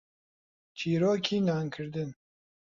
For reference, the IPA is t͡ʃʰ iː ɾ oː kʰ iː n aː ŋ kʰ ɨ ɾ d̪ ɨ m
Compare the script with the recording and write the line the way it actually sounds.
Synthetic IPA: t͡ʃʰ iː ɾ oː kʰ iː n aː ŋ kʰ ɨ ɾ d̪ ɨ n